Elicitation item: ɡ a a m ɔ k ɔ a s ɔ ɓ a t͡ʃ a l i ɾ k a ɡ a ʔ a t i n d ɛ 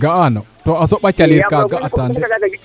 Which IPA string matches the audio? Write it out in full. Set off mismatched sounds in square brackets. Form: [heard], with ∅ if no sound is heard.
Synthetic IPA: ɡ a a [n] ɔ [t] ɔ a s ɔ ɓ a t͡ʃ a l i ɾ k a ɡ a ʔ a t [a] n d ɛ